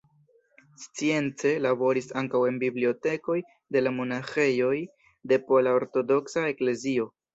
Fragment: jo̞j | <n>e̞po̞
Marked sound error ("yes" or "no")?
yes